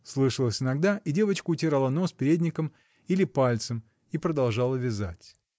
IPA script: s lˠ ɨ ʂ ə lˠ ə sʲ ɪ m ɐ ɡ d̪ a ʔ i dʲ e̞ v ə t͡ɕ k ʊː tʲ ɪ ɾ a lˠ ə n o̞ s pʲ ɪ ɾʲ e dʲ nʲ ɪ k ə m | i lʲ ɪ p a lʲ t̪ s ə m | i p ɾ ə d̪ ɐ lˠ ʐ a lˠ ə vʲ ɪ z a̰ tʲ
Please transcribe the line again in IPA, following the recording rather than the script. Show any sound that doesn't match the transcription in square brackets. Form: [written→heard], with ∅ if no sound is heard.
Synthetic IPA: s lˠ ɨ ʂ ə lˠ ə sʲ ɪ [m→n] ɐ ɡ d̪ a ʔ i dʲ e̞ v ə t͡ɕ k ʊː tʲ ɪ ɾ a lˠ ə n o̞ s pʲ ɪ ɾʲ e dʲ nʲ ɪ k ə m | i lʲ ɪ p a lʲ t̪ s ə m | i p ɾ ə d̪ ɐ lˠ ʐ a lˠ ə vʲ ɪ z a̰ tʲ